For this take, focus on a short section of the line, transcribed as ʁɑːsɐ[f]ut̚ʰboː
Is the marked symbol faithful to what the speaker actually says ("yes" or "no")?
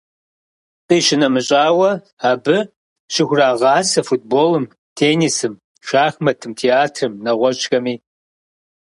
yes